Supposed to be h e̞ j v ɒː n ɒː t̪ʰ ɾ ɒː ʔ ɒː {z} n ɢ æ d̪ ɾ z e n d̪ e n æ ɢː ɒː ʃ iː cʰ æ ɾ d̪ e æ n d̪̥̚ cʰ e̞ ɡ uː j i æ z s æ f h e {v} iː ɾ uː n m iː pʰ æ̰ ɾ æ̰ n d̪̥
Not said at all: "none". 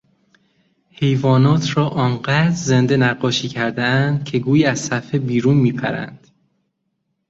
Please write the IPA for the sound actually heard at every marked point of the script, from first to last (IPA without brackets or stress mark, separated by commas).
none, b